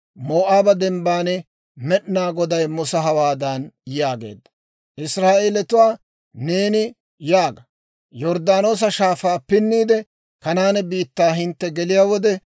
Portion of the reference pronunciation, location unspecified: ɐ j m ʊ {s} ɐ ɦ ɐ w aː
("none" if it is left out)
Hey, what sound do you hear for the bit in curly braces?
s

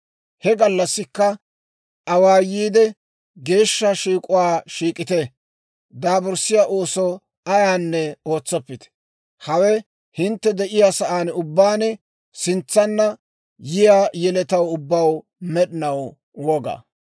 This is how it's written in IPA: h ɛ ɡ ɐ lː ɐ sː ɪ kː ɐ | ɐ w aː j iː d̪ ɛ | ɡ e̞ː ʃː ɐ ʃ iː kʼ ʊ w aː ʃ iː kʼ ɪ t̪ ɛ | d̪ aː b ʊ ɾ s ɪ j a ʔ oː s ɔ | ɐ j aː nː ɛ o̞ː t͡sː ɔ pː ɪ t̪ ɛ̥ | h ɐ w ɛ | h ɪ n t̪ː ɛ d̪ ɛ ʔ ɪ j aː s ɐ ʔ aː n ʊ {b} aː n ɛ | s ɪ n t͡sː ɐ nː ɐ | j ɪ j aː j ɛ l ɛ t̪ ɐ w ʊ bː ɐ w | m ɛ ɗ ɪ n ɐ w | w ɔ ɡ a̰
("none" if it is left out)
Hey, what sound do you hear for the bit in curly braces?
bː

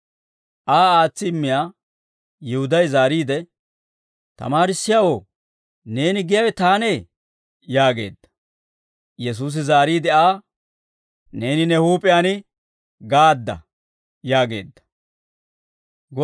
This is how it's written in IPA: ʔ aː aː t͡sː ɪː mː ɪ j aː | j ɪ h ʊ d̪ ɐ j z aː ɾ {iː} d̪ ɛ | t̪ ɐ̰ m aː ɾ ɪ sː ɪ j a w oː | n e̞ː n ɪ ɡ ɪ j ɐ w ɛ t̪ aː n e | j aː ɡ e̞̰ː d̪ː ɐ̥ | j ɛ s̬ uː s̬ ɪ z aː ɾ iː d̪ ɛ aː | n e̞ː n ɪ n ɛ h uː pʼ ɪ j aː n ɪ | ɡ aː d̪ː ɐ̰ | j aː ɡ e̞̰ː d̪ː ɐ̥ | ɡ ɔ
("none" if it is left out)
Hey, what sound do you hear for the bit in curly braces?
iː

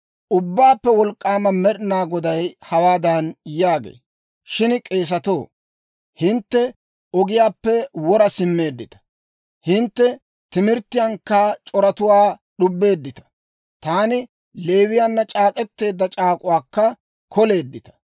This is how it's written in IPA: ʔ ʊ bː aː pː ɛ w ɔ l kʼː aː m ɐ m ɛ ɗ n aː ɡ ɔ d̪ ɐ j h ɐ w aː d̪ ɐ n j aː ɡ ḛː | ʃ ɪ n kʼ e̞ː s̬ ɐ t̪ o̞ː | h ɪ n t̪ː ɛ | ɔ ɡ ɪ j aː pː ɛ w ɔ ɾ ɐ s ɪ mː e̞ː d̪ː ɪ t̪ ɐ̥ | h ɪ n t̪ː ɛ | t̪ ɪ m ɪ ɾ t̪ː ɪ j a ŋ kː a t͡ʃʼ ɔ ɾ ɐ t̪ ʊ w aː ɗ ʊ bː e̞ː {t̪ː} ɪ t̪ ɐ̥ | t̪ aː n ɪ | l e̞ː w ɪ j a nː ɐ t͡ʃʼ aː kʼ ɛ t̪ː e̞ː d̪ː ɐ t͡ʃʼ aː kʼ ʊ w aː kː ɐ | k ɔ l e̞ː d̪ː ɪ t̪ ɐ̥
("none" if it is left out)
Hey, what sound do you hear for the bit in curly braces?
d̪ː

